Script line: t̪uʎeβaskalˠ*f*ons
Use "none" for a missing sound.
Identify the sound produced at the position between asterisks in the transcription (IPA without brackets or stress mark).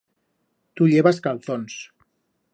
θ